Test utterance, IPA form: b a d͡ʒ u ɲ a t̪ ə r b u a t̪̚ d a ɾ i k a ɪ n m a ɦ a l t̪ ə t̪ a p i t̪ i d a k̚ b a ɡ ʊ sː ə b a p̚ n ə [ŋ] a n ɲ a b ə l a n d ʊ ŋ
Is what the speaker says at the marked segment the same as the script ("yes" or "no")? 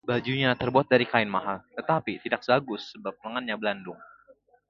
yes